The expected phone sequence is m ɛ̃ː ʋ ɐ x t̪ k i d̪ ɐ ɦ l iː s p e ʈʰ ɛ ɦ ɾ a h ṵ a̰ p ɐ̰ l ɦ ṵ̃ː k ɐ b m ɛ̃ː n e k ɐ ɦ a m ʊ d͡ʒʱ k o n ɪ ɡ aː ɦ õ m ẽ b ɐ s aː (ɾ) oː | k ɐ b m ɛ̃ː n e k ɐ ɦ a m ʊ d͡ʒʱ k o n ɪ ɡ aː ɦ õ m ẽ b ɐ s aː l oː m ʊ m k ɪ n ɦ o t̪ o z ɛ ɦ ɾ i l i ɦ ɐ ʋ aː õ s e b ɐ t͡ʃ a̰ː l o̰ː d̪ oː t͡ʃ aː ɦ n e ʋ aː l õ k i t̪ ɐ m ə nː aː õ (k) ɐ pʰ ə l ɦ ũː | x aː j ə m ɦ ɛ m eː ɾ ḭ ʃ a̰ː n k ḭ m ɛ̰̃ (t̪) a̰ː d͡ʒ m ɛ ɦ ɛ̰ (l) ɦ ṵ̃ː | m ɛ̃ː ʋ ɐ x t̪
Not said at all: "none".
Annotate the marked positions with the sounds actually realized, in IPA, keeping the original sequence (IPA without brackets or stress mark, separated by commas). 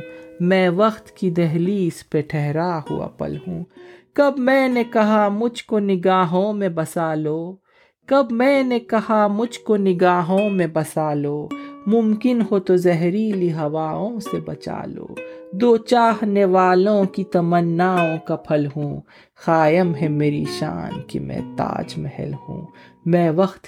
l, k, t̪, l